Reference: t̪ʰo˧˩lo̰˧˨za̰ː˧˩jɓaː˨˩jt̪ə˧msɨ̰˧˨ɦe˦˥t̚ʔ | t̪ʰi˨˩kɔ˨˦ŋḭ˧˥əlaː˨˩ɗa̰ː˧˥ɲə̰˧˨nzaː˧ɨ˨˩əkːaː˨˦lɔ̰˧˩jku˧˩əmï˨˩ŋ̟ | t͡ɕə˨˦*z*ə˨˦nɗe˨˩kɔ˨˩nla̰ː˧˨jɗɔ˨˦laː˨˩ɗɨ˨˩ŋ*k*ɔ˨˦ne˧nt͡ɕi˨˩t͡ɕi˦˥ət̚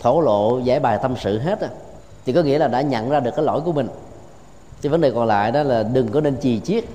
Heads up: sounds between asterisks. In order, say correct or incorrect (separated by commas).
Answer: incorrect, correct